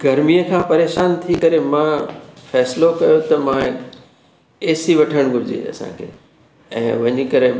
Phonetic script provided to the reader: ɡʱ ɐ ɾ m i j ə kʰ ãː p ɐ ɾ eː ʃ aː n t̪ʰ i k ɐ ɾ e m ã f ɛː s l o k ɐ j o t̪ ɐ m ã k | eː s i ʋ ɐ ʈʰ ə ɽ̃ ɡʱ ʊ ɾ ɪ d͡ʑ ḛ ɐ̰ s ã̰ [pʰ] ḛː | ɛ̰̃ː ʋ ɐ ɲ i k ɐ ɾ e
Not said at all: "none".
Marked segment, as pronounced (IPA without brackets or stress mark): kʰ